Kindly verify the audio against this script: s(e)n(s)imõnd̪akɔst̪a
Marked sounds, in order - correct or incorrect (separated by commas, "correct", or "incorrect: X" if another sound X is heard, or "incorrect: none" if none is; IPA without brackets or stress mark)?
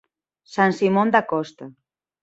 incorrect: a, correct